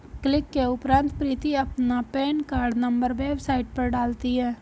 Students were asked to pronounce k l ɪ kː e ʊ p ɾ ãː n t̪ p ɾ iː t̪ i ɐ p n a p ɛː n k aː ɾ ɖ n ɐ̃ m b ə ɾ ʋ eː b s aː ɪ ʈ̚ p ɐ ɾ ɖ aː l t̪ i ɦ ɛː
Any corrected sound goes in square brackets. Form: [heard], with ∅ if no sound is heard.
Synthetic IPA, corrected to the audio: k l ɪ kː e ʊ p ɾ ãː n t̪ p ɾ iː t̪ i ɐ p n a p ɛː n k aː ɾ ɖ n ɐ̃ m b ə ɾ ʋ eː b s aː ɪ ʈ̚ p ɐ ɾ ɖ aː l t̪ i ɦ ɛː